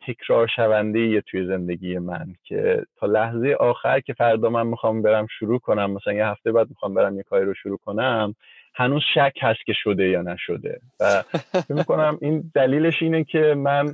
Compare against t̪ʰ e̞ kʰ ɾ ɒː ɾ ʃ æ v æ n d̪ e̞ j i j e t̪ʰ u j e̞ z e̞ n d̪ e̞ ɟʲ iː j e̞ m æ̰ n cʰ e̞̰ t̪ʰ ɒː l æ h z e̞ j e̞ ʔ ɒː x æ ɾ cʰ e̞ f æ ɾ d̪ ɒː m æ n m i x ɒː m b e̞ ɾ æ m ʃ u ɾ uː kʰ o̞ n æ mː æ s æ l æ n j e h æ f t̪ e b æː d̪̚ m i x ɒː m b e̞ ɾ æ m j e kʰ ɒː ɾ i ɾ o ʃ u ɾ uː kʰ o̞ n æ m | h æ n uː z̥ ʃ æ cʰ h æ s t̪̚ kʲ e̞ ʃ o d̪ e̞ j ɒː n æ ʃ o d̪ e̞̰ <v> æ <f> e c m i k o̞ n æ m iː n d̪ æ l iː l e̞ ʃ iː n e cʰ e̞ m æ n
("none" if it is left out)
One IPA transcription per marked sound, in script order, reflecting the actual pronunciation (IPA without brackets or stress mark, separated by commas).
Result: v, f